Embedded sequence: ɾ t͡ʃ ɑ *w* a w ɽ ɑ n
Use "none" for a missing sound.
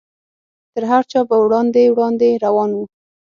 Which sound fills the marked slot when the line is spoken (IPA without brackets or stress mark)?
b